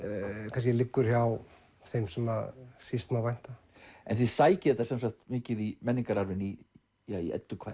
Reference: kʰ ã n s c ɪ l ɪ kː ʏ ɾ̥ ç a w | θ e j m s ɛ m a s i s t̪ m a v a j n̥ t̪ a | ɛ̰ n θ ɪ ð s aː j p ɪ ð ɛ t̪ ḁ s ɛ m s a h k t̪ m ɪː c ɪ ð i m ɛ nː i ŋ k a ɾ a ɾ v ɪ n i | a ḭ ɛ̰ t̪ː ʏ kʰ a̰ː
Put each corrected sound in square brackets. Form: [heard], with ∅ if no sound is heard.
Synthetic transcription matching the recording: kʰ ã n s c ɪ l ɪ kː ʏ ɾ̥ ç a w | θ e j m s ɛ m a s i s t̪ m a v a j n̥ t̪ a | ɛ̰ n θ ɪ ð s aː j [c] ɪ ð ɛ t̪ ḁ s ɛ m s a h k t̪ m ɪː c ɪ ð i m ɛ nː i ŋ k a ɾ a ɾ v ɪ n i | a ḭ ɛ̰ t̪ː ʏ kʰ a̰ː

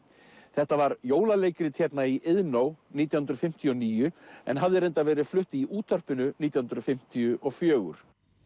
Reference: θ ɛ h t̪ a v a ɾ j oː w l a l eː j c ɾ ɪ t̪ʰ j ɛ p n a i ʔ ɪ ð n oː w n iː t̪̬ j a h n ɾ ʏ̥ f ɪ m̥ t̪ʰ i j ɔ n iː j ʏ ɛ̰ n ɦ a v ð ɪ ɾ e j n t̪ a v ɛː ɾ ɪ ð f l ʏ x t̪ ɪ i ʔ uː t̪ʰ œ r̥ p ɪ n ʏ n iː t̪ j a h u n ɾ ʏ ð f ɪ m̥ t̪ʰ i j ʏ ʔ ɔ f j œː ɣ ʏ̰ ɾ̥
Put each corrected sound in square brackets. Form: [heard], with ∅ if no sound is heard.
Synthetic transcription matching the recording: θ ɛ h t̪ a v a ɾ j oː w l a l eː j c ɾ ɪ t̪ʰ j ɛ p n a i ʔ ɪ ð n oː w n iː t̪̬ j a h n ɾ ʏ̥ f ɪ m̥ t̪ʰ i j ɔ n iː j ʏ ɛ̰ n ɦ a v ð ɪ ɾ e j n t̪ a v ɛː ɾ ɪ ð f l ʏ [h] t̪ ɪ i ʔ uː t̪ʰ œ r̥ p ɪ n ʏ n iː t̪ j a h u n ɾ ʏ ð f ɪ m̥ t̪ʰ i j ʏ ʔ ɔ f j œː ɣ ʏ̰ ɾ̥

